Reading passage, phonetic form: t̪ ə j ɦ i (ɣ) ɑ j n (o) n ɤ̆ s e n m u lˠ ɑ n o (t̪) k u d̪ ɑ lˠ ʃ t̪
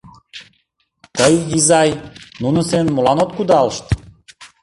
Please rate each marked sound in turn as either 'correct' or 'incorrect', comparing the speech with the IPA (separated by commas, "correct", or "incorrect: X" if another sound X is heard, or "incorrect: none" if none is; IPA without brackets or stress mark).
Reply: incorrect: z, incorrect: u, correct